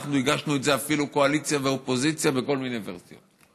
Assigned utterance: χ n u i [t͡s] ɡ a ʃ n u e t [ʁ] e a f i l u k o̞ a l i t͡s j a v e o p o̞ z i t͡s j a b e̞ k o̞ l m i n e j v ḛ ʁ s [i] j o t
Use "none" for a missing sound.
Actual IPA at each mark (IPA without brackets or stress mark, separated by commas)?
none, z, i